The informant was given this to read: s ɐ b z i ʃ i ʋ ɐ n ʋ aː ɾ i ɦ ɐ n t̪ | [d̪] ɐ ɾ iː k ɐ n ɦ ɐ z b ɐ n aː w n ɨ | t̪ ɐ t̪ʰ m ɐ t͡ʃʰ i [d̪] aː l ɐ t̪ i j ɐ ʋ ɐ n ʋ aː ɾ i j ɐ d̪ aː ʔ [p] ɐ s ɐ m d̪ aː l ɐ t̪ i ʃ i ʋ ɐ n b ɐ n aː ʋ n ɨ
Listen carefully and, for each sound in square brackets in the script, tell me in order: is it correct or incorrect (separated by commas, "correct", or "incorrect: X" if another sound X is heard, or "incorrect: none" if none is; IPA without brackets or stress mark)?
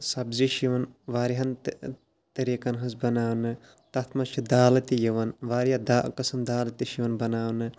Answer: incorrect: t̪, correct, incorrect: k